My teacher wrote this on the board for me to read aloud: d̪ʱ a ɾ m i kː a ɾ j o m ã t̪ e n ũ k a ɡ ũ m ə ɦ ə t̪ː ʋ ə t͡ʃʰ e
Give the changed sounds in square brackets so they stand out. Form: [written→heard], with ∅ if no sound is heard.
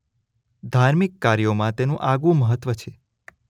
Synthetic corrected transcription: d̪ʱ a ɾ m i kː a ɾ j o m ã t̪ e n ũ [k→ʔ] a ɡ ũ m ə ɦ ə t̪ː ʋ ə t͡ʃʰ e

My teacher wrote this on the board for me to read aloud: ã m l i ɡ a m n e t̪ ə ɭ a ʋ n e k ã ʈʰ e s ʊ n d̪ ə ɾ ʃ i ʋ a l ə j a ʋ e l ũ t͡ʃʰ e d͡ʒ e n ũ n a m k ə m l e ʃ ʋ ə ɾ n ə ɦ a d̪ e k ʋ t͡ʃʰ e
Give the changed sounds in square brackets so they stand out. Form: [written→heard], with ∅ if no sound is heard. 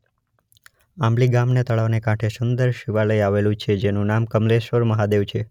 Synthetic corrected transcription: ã m l i ɡ a m n e t̪ ə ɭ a ʋ n e k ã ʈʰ e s ʊ n d̪ ə ɾ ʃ i ʋ a l ə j a ʋ e l ũ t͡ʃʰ e d͡ʒ e n ũ n a m k ə m l e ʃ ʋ ə ɾ [n→m] ə ɦ a d̪ e [k→∅] ʋ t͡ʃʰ e

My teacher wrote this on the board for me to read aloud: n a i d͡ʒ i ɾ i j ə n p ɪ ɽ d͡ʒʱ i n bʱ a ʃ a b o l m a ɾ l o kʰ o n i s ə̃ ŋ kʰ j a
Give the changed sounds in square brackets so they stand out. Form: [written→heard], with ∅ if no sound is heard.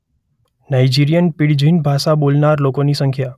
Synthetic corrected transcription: n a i d͡ʒ i ɾ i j ə n p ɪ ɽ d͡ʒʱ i n bʱ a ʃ a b o l [m→n] a ɾ l o [kʰ→k] o n i s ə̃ ŋ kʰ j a

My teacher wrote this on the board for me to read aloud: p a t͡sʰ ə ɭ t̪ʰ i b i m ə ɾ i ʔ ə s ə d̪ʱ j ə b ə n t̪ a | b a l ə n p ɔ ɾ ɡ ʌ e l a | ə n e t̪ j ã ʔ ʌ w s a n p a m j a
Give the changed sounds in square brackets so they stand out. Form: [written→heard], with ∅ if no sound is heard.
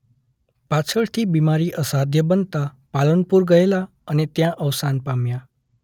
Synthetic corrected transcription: p a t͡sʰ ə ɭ t̪ʰ i b i m [ə→a] ɾ i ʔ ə s [ə→a] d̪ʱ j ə b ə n t̪ a | [b→p] a l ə n p [ɔ→u] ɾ ɡ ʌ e l a | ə n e t̪ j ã ʔ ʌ w s a n p a m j a

